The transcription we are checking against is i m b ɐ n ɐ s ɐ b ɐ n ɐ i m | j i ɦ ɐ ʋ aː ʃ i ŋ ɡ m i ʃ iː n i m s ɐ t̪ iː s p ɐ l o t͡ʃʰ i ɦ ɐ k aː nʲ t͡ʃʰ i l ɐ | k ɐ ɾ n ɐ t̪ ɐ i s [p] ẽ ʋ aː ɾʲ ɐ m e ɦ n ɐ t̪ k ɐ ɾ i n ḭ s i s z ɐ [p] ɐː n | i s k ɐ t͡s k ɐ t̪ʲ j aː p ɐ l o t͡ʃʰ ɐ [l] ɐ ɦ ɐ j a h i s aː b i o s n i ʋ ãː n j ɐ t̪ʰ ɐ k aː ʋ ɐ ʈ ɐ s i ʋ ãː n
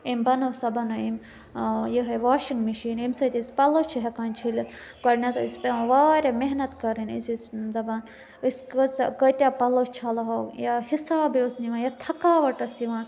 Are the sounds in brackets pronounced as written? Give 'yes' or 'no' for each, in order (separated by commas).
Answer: yes, no, yes